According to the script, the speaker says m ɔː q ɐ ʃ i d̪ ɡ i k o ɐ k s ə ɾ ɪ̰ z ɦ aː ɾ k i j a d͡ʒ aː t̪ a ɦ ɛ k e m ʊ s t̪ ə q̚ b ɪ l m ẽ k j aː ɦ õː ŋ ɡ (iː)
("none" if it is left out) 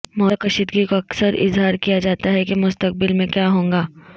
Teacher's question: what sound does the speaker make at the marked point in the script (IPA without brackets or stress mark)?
aː